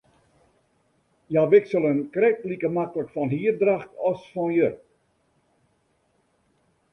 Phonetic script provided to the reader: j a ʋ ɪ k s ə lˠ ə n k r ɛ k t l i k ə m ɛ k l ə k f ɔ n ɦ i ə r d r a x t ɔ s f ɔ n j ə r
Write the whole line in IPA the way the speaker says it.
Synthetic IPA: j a ʋ ɪ k s ə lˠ ə n k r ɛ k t l i k ə m a k l ə k f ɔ n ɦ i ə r d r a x t ɔ s f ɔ n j ə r